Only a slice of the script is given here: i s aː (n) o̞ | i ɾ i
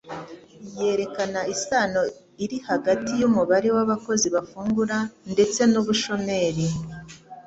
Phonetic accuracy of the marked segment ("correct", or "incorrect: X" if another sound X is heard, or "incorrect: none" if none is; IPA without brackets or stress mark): correct